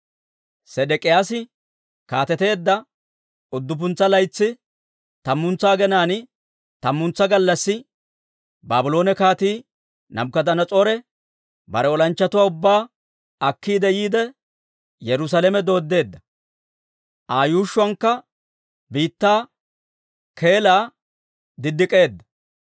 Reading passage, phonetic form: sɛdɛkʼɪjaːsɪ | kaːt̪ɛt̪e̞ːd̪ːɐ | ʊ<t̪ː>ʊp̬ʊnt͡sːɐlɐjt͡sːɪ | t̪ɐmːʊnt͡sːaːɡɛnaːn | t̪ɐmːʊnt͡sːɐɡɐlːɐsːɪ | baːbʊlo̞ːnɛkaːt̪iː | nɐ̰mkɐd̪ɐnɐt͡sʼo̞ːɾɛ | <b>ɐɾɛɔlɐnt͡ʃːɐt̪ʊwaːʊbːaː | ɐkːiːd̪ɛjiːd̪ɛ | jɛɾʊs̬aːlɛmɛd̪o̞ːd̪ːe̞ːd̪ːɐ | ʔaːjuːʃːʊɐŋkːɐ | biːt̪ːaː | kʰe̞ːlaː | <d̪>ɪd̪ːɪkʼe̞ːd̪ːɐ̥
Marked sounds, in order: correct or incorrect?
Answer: incorrect: d̪ː, correct, correct

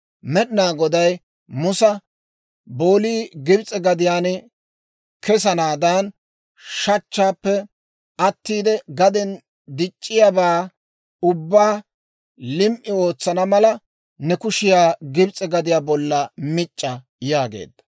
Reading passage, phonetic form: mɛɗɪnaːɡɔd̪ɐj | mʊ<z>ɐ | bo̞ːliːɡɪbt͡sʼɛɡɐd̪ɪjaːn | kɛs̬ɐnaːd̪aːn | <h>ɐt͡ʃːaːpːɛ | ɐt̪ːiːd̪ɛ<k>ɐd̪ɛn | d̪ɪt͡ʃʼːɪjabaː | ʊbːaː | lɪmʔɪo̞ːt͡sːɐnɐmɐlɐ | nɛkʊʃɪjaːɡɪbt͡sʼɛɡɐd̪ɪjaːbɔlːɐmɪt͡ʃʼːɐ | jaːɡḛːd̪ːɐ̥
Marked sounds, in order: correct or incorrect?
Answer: incorrect: s, incorrect: ʃ, incorrect: ɡ

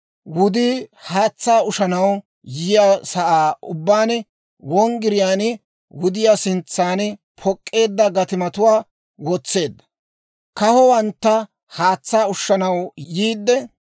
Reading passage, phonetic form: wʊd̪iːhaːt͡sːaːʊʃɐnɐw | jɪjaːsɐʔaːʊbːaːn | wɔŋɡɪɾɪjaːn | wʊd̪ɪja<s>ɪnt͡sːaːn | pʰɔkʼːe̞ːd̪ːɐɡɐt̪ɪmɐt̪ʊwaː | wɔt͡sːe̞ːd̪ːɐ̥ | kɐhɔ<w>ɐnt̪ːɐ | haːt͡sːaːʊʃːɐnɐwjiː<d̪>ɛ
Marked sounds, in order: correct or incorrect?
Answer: correct, correct, incorrect: d̪ː

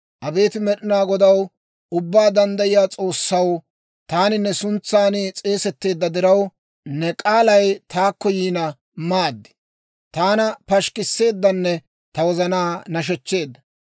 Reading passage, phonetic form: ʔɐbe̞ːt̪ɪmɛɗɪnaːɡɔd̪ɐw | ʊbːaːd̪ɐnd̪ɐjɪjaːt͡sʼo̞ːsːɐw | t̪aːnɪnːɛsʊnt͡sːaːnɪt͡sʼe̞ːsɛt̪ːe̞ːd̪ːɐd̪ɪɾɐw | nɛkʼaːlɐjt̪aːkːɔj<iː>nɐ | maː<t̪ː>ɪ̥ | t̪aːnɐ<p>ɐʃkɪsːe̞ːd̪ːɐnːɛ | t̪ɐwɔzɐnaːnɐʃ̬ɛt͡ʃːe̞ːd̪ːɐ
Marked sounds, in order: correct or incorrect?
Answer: correct, incorrect: d̪ː, correct

